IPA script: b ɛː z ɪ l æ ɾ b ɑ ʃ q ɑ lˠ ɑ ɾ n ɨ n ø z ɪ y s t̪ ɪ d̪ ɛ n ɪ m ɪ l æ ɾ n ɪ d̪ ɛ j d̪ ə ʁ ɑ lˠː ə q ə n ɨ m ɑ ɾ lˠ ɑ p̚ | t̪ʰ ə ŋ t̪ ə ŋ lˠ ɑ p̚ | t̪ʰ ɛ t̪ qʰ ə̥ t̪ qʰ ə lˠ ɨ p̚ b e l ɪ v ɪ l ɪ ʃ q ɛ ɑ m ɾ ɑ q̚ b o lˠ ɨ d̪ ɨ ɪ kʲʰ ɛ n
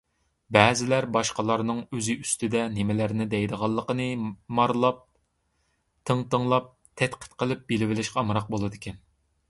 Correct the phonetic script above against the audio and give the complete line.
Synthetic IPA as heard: b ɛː z ɪ l æ ɾ b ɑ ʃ q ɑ lˠ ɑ ɾ n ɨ ŋ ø z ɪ y s t̪ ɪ d̪ ɛ n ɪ m ɪ l æ ɾ n ɪ d̪ ɛ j d̪ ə ʁ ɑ lˠː ə q ə n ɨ m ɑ ɾ lˠ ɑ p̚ | t̪ʰ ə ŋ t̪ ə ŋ lˠ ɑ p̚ | t̪ʰ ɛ t̪ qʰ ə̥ t̪ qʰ ə lˠ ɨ p̚ b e l ɪ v ɪ l ɪ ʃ q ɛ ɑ m ɾ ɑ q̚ b o lˠ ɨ d̪ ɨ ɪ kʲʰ ɛ n